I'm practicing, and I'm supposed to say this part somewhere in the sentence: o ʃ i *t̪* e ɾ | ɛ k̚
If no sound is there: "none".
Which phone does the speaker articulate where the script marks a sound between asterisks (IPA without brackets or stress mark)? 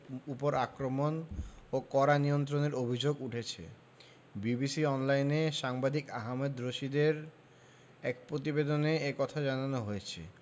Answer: d̪